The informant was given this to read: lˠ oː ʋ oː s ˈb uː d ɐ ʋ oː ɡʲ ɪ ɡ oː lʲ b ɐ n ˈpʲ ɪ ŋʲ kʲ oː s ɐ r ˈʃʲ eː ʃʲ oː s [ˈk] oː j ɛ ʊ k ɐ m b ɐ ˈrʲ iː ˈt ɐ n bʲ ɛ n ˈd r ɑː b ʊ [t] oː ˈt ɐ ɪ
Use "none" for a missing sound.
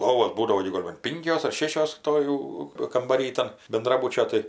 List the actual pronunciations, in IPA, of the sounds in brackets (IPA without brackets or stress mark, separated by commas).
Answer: t, t͡ʃʲ